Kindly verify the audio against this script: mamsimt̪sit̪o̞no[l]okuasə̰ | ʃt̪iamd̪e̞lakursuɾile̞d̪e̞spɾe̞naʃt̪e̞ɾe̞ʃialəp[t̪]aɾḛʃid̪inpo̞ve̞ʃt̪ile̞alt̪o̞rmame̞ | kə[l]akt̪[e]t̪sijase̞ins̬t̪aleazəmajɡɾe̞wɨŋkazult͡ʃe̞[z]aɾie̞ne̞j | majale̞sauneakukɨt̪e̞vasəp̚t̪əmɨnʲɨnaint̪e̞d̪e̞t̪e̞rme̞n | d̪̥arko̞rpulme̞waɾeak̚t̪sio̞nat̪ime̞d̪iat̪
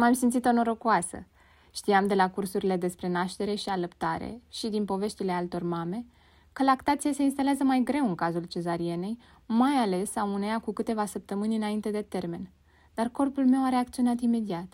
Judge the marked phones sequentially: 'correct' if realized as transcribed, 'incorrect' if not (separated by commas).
incorrect, correct, correct, incorrect, correct